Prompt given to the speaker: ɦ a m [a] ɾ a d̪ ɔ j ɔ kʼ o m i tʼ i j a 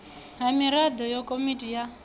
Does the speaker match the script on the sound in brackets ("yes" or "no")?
no